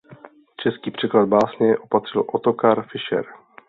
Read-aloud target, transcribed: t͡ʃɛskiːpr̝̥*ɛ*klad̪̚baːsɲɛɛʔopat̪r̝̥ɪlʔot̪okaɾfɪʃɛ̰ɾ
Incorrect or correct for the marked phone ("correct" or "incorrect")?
correct